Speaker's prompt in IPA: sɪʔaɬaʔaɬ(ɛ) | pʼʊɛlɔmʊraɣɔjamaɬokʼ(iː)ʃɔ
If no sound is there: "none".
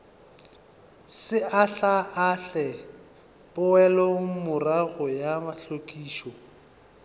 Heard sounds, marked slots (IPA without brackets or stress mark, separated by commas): ɛ, iː